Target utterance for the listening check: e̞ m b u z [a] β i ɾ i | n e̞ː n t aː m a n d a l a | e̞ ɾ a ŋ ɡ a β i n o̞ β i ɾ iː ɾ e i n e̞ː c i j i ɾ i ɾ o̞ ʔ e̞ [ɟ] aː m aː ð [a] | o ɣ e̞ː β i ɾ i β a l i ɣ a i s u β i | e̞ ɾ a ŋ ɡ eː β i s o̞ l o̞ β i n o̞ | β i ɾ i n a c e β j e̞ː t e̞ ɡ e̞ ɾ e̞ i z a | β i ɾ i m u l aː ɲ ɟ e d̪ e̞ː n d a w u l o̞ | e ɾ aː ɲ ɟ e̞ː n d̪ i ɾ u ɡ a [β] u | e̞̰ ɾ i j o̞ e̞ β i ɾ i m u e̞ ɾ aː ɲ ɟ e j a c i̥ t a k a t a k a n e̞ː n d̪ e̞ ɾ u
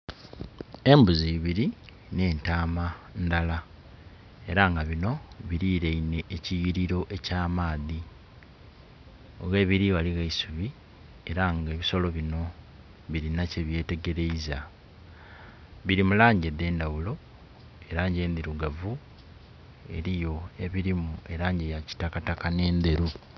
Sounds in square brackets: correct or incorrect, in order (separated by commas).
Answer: incorrect, incorrect, incorrect, incorrect